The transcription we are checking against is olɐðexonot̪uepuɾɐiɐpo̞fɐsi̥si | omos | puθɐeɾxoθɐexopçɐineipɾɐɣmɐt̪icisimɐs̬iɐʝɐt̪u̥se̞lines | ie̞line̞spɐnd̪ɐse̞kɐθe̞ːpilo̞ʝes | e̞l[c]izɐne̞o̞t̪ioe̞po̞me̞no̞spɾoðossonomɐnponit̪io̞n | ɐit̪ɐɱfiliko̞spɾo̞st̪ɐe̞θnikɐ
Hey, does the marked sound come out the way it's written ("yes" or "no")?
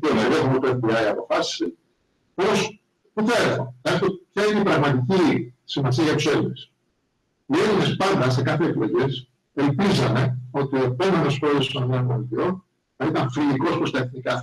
no